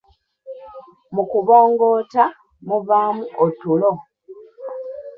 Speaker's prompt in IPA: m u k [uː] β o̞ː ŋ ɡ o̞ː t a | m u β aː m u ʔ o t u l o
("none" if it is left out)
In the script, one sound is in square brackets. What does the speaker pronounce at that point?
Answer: u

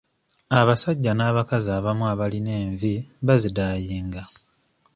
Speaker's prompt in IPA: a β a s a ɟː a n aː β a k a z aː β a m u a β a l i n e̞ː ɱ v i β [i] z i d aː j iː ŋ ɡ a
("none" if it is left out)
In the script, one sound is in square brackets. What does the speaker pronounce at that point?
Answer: a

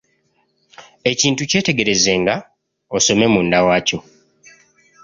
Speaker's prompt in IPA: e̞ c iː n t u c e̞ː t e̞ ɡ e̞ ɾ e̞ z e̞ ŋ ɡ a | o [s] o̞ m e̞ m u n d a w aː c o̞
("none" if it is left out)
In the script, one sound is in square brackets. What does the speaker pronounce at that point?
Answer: s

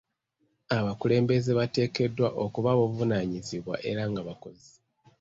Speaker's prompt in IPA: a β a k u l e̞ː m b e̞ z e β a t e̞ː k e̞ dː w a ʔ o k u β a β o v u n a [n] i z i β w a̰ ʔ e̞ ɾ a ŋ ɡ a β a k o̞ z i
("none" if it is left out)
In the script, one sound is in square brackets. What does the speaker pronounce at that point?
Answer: ɲ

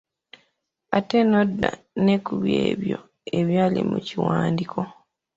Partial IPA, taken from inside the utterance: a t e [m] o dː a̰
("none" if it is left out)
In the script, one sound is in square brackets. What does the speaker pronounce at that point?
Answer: n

